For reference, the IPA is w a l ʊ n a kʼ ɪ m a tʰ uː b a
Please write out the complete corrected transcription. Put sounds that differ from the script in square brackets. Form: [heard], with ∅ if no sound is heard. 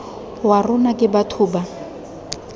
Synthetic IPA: w a [r] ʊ n a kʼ ɪ [b] a tʰ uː b a